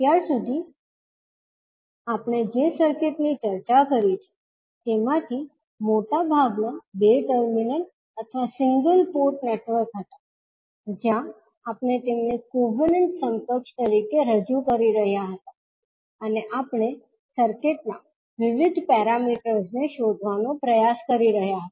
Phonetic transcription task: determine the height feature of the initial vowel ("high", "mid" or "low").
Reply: low